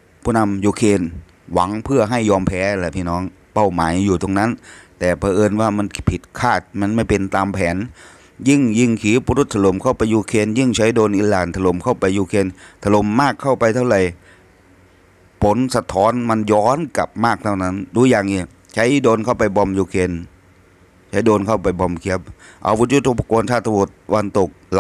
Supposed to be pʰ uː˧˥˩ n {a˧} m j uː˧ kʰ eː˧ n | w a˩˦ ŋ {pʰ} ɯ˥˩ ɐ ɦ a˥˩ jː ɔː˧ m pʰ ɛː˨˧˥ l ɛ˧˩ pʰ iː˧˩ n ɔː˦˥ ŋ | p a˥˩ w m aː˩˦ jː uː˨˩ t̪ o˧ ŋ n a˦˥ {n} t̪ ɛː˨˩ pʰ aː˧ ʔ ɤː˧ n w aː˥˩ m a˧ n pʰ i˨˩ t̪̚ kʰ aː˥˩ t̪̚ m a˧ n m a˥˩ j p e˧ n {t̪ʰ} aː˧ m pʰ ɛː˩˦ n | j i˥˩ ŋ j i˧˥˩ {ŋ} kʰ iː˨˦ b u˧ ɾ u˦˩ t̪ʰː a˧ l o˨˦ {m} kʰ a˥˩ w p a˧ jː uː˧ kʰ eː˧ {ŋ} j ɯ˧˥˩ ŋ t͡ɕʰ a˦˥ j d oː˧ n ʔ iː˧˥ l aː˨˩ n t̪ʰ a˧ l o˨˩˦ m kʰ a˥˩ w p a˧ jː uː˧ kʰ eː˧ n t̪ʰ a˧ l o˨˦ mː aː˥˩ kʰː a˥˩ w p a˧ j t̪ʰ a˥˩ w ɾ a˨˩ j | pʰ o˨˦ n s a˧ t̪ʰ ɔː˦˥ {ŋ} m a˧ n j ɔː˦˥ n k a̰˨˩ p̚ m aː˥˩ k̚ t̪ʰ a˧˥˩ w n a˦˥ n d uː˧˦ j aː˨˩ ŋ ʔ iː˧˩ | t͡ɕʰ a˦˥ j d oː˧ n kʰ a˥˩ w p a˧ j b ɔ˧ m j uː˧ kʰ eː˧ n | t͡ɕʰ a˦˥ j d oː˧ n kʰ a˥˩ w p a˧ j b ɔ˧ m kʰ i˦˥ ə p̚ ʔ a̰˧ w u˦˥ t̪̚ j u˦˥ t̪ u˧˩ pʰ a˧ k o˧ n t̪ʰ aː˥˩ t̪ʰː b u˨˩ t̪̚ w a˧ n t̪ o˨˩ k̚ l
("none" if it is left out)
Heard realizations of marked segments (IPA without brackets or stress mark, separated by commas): a˧, pʰ, n, t̪, ŋ, m, n, n